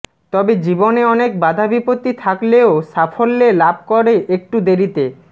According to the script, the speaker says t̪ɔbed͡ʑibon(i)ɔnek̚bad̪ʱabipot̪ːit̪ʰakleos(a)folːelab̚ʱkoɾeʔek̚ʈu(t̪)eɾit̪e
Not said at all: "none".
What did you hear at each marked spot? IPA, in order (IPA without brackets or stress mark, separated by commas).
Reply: e, a, d̪